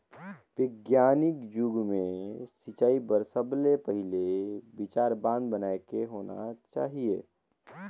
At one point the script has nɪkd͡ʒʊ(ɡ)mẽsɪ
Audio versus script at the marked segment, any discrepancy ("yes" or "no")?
no